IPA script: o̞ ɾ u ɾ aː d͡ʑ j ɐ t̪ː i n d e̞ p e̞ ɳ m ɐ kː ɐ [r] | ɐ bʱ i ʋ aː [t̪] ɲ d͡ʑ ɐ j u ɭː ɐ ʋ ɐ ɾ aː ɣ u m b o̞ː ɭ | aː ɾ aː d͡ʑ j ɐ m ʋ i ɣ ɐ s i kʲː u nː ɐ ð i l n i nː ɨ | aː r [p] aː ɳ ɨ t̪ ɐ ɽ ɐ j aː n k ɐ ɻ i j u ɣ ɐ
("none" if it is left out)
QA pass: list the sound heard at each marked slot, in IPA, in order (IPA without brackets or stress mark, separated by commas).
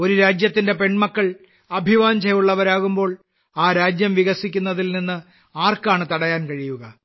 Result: ɭ, none, k